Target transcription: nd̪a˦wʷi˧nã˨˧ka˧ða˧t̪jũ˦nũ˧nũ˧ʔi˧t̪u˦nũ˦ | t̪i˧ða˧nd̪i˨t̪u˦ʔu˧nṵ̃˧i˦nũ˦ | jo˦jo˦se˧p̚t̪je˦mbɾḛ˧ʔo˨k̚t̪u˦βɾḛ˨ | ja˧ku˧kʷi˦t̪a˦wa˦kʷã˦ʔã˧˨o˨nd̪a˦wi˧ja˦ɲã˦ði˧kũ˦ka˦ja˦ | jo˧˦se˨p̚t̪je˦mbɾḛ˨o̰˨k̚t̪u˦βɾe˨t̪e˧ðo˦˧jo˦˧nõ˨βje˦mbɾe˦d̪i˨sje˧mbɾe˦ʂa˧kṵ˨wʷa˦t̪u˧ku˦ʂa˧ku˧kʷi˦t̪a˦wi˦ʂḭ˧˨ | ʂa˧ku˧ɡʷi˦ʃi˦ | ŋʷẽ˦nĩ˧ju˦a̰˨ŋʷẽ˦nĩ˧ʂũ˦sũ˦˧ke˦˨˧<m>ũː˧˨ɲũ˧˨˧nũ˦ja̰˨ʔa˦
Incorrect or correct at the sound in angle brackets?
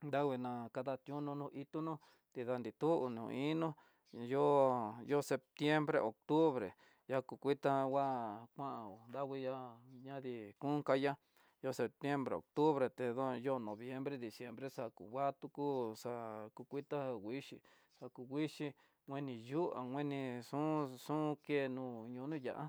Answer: incorrect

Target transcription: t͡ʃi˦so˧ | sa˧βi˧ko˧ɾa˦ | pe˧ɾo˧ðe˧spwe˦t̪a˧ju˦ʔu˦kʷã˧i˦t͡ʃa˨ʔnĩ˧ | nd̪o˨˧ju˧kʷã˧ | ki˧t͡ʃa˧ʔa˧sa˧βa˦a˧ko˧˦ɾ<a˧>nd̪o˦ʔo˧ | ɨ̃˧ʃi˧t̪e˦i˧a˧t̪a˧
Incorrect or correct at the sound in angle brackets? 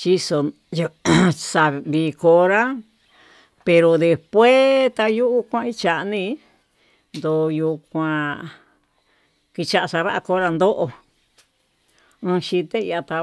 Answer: correct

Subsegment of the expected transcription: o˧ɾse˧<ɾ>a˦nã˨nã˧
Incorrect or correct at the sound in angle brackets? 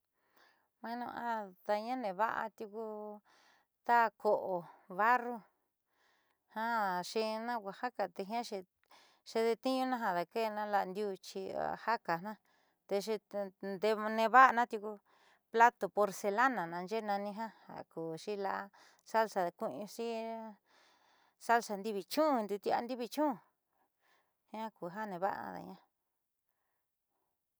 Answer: incorrect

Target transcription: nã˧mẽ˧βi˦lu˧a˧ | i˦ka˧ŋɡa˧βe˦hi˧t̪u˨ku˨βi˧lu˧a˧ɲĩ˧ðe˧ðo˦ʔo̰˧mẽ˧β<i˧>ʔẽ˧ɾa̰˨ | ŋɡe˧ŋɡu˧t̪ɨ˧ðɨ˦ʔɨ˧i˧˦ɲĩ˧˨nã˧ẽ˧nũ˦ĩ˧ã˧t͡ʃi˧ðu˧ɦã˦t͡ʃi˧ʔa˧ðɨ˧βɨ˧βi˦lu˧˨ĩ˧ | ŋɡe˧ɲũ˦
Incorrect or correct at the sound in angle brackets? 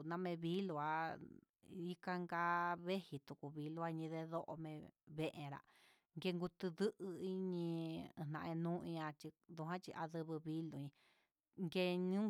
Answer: incorrect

